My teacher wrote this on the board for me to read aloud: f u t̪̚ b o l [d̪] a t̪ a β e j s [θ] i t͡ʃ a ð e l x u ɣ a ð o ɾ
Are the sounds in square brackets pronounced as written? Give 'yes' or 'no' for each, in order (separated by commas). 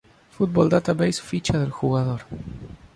yes, no